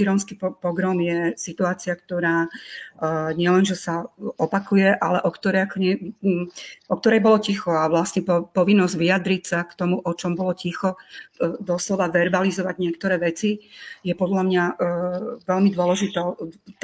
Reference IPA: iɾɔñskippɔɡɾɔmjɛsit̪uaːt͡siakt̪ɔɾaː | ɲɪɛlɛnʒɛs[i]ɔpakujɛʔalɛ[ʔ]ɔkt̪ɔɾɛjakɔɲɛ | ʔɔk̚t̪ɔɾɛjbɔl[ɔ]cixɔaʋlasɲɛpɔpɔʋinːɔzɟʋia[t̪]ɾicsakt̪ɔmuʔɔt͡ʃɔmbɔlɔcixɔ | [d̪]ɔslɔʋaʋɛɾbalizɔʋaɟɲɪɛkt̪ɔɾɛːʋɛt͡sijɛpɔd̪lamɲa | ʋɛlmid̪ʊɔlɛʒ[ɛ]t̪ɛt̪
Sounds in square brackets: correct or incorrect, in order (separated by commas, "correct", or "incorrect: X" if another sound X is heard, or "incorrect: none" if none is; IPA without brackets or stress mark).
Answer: incorrect: a, correct, correct, incorrect: d̪, correct, incorrect: i